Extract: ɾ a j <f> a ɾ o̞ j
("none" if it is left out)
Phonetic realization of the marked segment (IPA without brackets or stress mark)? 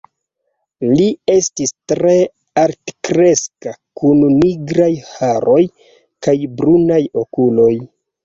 h